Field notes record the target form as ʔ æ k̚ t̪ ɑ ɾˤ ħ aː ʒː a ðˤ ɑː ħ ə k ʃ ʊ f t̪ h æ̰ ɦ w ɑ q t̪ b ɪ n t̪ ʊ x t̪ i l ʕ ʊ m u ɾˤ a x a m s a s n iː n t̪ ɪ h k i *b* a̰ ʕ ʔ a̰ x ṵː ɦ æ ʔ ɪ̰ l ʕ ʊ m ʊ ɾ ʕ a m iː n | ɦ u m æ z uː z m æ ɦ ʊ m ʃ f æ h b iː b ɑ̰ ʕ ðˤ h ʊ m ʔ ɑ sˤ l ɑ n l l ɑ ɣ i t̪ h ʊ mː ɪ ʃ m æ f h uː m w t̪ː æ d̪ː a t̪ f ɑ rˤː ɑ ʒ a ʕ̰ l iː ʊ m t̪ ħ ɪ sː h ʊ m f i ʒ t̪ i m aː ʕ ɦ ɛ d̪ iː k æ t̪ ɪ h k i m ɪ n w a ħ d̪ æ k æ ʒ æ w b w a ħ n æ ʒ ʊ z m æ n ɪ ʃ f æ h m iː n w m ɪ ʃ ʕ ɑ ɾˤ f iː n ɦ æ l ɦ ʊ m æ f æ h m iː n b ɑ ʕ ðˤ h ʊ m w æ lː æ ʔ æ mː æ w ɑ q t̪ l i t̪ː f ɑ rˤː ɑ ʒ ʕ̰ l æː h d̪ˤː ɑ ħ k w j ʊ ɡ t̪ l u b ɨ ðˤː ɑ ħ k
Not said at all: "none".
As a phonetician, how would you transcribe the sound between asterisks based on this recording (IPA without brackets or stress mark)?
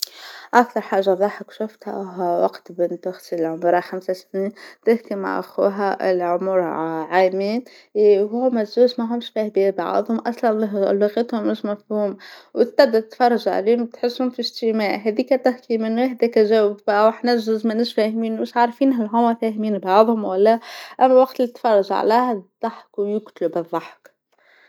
m